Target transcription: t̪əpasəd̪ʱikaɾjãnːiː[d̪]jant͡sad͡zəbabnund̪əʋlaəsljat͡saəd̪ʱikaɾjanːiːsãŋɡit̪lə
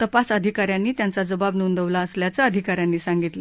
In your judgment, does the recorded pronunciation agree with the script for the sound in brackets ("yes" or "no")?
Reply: no